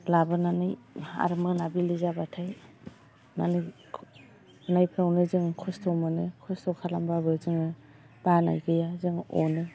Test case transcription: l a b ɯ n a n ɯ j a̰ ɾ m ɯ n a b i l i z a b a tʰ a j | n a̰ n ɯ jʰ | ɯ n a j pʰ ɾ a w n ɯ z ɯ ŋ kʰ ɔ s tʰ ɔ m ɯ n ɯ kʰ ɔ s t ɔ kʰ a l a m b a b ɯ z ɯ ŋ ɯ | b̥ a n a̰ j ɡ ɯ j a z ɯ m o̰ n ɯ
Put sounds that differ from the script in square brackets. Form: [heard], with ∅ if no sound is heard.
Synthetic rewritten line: l a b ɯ n a n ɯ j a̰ ɾ m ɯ n a b i l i z a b a tʰ a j | n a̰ n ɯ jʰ | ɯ n a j pʰ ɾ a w n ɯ z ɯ ŋ kʰ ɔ s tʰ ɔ m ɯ n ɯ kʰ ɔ s t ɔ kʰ a l a m b a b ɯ z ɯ ŋ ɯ | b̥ a n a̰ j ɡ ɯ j a z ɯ [ŋ] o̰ n ɯ